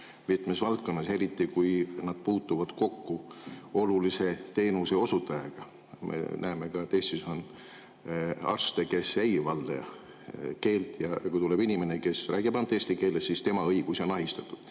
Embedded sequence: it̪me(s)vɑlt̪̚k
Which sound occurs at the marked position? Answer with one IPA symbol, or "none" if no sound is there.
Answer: s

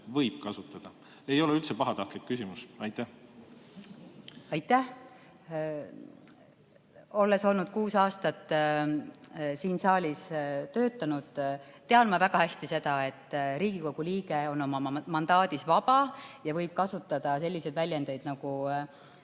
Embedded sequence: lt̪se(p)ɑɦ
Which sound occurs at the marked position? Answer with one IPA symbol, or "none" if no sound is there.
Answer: p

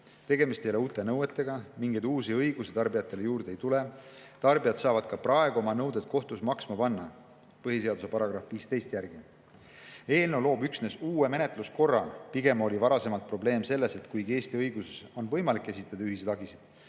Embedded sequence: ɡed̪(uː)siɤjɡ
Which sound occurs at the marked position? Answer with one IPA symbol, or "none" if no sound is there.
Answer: uː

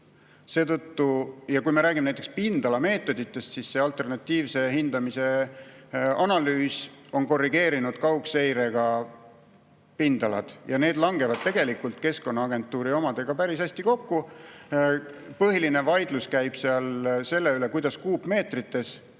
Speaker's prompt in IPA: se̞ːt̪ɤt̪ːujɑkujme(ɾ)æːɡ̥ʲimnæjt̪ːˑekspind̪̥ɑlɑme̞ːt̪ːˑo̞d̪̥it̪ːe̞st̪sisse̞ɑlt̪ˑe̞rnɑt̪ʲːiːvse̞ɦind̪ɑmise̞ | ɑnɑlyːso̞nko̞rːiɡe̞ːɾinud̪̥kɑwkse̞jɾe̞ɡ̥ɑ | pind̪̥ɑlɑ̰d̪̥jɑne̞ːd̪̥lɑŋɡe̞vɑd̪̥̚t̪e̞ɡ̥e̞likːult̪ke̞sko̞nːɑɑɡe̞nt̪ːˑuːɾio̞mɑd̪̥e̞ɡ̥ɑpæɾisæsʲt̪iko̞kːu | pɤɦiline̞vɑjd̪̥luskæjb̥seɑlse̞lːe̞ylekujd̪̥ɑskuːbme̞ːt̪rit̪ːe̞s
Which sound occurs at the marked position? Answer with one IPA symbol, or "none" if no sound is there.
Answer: ɾ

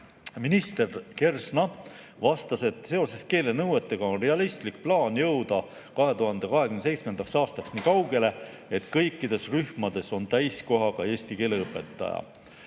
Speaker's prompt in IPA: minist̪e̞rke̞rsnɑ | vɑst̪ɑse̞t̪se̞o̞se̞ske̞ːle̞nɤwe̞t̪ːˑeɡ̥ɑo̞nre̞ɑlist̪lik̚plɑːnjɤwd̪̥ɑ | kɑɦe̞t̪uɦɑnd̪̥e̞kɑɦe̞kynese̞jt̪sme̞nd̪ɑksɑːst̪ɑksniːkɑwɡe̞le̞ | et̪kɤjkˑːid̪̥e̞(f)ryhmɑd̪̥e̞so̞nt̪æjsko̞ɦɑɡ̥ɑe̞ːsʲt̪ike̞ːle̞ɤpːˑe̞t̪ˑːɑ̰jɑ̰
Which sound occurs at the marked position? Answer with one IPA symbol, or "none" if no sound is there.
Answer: s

